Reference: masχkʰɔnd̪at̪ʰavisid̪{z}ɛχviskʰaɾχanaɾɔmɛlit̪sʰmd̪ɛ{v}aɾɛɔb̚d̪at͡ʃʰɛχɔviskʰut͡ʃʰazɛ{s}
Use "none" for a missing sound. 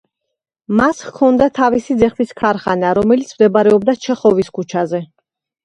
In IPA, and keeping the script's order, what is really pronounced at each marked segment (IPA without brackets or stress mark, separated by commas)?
z, b, none